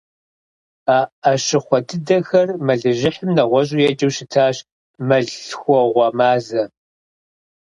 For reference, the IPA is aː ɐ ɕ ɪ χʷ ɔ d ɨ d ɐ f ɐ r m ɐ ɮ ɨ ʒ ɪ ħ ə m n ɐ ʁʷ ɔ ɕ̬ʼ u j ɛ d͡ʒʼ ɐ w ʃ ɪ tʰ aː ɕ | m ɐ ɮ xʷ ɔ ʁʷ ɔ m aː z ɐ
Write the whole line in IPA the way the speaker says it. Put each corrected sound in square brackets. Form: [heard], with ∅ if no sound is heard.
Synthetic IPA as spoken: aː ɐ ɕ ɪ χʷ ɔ d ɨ d ɐ [x] ɐ r m ɐ ɮ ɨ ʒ ɪ ħ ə m n ɐ ʁʷ ɔ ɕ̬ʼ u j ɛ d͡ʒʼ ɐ w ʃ ɪ tʰ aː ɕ | m ɐ ɮ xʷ ɔ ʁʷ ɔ m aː z ɐ